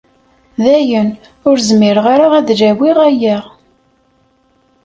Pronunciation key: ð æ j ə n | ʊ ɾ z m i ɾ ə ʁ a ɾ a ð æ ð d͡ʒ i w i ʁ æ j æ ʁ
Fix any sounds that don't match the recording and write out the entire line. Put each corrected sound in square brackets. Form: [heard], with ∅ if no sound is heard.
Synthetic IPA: ð æ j ə n | ʊ ɾ z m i ɾ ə ʁ a ɾ a [ʁ] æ ð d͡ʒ [æ] w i ʁ æ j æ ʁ